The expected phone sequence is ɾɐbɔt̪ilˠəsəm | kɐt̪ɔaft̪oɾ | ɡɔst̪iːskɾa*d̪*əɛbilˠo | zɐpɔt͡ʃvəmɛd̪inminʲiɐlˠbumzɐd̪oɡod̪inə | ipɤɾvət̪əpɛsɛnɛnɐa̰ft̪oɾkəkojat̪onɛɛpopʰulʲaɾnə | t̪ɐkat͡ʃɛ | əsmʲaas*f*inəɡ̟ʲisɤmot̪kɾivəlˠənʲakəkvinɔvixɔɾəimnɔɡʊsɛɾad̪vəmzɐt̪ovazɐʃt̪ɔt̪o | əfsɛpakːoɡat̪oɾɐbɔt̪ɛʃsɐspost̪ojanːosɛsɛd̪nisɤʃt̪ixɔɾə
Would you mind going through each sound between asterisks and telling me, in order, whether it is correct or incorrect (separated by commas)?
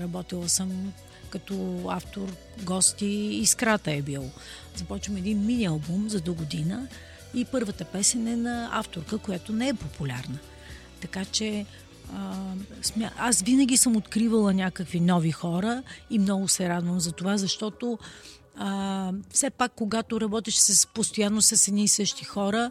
incorrect, incorrect